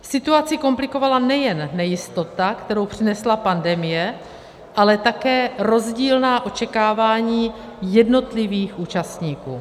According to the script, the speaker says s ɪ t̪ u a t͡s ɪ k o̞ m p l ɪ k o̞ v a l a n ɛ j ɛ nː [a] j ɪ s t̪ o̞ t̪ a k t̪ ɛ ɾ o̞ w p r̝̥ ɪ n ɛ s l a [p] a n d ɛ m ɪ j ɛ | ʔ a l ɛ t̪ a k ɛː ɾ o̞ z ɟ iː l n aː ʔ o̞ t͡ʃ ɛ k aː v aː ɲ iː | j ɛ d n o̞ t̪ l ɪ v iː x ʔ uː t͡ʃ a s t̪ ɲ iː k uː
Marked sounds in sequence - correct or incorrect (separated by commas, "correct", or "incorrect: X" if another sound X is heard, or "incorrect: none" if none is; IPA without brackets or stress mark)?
incorrect: ɛ, correct